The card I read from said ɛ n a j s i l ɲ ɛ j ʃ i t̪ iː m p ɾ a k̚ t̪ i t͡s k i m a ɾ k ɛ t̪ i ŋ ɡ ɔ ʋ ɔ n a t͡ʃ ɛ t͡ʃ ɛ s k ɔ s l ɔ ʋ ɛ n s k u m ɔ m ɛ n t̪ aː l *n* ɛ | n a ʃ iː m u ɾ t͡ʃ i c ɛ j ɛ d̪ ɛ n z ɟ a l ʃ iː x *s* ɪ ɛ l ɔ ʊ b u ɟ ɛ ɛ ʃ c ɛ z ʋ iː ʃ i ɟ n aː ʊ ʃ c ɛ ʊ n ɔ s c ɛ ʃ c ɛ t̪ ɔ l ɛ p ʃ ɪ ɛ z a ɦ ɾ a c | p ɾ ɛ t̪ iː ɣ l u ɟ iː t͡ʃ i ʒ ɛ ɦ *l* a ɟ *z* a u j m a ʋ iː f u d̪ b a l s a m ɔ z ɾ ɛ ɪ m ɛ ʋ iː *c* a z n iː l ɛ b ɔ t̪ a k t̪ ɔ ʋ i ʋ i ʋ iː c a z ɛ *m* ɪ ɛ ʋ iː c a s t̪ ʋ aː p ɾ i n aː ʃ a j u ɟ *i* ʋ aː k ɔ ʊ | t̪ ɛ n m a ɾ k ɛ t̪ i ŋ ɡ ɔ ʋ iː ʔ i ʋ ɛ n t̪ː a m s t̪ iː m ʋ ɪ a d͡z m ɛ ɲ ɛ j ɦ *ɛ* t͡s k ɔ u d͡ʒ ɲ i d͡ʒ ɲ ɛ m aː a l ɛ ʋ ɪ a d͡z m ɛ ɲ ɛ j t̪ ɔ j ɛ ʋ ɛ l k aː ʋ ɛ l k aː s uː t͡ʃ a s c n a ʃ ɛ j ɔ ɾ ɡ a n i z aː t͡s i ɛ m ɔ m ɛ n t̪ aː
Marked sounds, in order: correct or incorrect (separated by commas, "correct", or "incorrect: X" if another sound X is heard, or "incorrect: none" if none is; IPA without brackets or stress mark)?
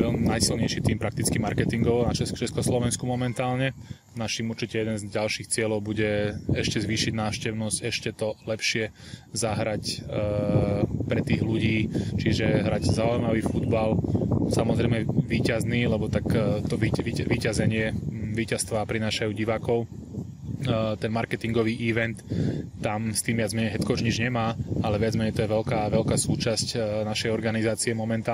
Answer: incorrect: ɲ, incorrect: t͡s, incorrect: ɾ, correct, correct, incorrect: ɲ, correct, correct